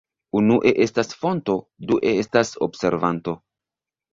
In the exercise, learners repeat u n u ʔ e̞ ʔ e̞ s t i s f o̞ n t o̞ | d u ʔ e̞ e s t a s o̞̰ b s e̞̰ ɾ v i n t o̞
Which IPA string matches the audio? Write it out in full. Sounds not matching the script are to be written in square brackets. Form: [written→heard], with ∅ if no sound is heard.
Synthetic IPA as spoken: u n u ʔ e̞ ʔ e̞ s t [i→a] s f o̞ n t o̞ | d u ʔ e̞ e s t a s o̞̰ b s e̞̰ ɾ v [i→a] n t o̞